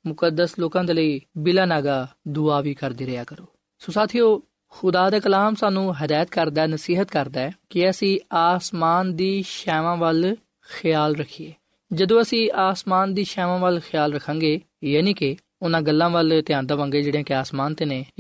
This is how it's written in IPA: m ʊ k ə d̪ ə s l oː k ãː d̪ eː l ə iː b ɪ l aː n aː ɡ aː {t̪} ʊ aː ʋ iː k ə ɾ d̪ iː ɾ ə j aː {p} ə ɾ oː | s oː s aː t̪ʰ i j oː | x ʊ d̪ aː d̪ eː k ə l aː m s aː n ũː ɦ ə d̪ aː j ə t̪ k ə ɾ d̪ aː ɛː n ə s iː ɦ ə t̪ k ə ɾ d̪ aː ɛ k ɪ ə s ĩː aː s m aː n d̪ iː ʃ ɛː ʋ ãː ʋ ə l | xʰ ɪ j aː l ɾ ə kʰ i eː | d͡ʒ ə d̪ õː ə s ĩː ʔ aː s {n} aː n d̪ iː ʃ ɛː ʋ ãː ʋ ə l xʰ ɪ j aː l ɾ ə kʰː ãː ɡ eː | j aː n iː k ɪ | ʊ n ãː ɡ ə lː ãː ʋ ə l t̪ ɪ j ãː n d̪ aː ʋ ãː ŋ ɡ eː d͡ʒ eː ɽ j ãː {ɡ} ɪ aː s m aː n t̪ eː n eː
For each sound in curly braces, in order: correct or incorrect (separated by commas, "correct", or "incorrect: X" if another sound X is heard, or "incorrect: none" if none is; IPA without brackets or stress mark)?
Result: incorrect: d̪, incorrect: k, incorrect: m, incorrect: k